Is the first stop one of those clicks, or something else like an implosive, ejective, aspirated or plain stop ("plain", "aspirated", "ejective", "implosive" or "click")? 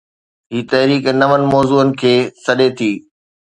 plain